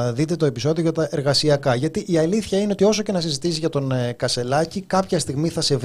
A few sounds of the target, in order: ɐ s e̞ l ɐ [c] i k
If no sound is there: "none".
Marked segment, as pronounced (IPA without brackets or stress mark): c